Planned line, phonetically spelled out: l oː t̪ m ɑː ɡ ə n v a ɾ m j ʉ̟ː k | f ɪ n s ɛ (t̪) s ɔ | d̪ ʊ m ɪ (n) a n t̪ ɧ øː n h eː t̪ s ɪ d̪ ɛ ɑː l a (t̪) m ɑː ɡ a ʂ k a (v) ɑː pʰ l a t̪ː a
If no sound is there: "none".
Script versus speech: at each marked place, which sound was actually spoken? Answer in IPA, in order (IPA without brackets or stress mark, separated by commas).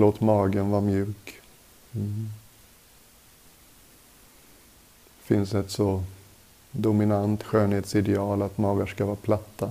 t̪, n, t̪, v